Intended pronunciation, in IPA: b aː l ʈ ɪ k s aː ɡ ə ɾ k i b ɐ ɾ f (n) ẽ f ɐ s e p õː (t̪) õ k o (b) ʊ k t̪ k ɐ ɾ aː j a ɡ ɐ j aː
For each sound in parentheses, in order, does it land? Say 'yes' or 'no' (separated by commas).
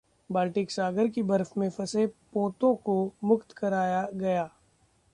no, yes, no